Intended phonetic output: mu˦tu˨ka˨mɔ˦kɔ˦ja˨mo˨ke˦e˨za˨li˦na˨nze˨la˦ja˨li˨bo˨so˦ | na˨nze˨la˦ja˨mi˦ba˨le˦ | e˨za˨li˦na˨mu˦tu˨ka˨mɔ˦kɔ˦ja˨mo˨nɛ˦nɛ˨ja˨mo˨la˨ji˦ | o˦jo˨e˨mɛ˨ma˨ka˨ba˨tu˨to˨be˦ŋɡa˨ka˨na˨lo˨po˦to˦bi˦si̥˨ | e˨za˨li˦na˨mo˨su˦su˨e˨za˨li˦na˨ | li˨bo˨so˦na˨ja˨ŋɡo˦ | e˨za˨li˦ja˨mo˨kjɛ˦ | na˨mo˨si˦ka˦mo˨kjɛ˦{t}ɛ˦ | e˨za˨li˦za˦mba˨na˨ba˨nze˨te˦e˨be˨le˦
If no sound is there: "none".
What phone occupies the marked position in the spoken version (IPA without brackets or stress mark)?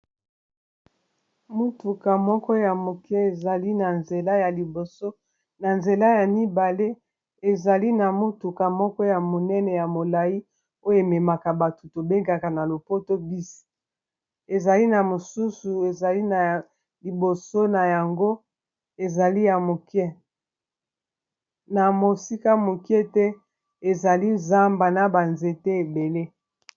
t